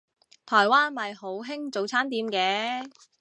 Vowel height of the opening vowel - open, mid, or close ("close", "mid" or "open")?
mid